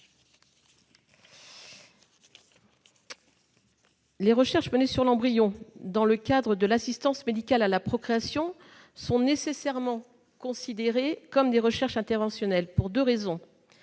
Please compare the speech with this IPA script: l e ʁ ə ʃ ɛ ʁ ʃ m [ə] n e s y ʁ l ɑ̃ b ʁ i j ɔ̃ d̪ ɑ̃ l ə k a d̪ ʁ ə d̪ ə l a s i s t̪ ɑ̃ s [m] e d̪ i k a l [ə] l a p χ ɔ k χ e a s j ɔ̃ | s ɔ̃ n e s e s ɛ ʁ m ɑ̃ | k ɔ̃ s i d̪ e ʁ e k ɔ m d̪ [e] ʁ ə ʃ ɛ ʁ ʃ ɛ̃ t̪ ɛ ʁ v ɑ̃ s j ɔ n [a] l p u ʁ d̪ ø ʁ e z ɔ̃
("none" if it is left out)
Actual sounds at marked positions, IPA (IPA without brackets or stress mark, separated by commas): ə, m, a, e, ɛ